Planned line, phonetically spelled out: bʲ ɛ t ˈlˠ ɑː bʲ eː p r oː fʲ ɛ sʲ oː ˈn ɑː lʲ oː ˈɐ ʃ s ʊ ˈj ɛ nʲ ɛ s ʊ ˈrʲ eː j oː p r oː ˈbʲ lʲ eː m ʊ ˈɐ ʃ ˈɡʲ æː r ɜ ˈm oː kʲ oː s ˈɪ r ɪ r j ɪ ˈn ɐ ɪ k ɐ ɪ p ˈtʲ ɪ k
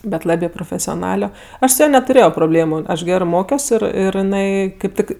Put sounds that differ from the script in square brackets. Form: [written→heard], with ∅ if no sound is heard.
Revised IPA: bʲ ɛ t ˈlˠ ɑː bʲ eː p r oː fʲ ɛ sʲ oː ˈn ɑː lʲ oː ˈɐ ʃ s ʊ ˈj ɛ nʲ ɛ [s→t] ʊ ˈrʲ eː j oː p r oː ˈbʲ lʲ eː m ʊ ˈɐ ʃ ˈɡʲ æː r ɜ ˈm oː kʲ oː s ˈɪ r ɪ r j ɪ ˈn ɐ ɪ k ɐ ɪ p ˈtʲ ɪ k